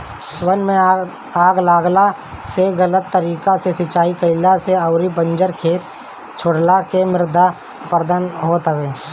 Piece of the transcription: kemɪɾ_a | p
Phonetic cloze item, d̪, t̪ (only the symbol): d̪